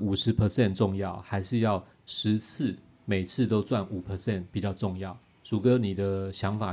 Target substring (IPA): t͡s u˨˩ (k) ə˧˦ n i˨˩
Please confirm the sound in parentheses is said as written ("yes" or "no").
yes